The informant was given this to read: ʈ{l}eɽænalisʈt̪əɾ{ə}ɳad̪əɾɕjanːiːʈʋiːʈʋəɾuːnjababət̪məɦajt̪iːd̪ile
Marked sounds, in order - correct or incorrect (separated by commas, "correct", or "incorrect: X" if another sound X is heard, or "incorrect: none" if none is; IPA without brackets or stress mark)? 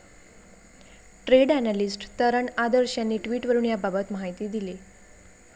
incorrect: ɾ, correct